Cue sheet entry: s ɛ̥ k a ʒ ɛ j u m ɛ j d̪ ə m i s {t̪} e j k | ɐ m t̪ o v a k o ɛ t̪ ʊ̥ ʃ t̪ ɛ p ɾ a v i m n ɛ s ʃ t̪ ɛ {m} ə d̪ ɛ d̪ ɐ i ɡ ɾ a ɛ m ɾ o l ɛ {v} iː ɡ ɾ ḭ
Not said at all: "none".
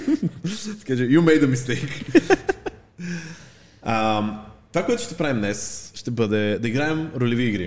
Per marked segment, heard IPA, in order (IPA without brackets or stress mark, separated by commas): t̪, b, v